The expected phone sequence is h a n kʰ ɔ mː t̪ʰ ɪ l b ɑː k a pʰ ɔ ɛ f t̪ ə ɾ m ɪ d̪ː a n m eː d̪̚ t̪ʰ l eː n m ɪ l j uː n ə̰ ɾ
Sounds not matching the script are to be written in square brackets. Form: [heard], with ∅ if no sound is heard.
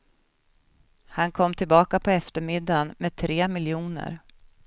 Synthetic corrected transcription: h a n kʰ ɔ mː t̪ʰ ɪ l b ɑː k a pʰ ɔ ɛ f t̪ ə ɾ m ɪ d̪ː a n m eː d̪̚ t̪ʰ [ɾ] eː [∅] m ɪ l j uː n ə̰ ɾ